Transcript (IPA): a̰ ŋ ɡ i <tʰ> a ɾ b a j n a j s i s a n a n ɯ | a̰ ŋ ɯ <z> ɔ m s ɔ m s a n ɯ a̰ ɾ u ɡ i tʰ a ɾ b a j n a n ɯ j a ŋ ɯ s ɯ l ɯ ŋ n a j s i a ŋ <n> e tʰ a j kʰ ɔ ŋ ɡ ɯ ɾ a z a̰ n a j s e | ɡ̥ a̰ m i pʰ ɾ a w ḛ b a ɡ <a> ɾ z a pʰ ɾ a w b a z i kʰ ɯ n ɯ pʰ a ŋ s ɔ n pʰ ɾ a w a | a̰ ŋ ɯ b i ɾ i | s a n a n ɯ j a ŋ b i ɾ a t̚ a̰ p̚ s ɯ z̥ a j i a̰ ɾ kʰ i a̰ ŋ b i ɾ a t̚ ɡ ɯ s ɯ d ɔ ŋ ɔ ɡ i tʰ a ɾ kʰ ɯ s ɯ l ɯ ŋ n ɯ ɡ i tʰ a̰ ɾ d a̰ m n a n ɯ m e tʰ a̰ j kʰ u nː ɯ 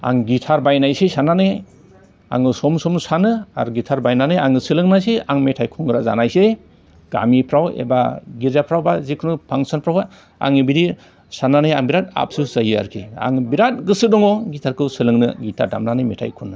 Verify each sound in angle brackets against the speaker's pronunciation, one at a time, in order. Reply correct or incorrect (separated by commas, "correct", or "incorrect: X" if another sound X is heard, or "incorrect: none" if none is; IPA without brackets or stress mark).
correct, incorrect: s, incorrect: m, incorrect: i